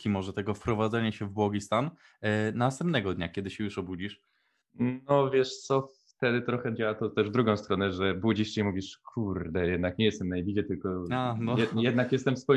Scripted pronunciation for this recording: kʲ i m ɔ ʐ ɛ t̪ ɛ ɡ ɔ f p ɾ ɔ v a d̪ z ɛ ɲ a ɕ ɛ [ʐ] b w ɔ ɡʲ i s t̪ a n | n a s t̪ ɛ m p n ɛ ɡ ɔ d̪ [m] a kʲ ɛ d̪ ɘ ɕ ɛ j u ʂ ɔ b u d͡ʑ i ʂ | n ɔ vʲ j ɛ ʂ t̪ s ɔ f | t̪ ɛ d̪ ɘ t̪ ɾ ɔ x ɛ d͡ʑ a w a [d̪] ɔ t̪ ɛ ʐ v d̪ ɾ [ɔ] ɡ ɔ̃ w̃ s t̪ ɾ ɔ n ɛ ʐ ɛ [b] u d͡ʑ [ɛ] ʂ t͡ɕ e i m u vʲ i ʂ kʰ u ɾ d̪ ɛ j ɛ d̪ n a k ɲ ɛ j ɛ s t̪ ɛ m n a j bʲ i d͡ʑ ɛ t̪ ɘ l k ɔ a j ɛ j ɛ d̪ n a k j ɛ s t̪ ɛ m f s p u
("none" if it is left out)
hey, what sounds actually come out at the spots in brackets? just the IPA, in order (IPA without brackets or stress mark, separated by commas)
v, ɲ, t̪, u, b, i